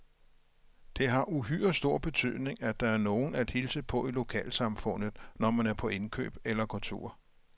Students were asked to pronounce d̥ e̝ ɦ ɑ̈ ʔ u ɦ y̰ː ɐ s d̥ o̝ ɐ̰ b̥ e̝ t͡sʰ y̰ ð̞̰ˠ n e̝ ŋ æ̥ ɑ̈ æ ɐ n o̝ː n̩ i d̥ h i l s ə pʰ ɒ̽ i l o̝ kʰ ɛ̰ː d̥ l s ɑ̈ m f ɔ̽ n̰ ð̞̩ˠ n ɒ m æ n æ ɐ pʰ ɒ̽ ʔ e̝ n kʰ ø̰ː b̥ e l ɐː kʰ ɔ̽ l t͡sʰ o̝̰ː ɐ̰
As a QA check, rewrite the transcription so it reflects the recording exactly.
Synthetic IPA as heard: d̥ e̝ ɦ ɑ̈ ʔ u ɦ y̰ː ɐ s d̥ o̝ ɐ̰ b̥ e̝ t͡sʰ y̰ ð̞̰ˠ n e̝ ŋ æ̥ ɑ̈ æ ɐ n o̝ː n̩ æ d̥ h i l s ə pʰ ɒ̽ i l o̝ kʰ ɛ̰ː l s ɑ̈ m f ɔ̽ n̰ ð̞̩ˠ n ɒ m æ n æ ɐ pʰ ɒ̽ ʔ e̝ n kʰ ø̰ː b̥ e l ɐ kʰ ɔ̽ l t͡sʰ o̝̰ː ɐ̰